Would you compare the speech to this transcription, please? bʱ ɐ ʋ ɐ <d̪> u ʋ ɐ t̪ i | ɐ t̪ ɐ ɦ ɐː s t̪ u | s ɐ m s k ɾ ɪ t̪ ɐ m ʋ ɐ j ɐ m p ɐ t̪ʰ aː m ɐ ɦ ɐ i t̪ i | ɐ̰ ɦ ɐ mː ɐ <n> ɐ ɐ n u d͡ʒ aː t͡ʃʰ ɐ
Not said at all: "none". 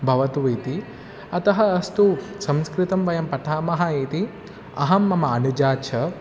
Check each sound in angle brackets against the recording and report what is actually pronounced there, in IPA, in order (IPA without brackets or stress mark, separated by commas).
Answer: t̪, m